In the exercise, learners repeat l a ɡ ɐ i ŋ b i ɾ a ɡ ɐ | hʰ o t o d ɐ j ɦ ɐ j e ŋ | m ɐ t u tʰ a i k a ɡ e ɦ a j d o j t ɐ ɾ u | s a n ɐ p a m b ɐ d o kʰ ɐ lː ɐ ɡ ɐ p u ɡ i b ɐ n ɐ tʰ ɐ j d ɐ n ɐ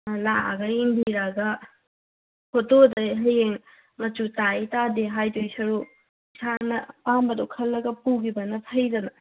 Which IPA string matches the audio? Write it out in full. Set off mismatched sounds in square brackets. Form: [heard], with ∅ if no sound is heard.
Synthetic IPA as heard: l a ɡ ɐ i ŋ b i ɾ a ɡ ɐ | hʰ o t o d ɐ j ɦ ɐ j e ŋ | m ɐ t u [t] a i [t] a [d] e ɦ a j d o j [s] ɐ ɾ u | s a n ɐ p a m b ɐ d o kʰ ɐ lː ɐ ɡ ɐ p u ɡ i b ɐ n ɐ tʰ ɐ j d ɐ n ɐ